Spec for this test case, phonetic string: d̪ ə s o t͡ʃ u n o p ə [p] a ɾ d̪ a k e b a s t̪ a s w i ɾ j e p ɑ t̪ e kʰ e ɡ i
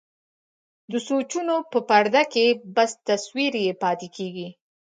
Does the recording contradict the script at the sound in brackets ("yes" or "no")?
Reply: no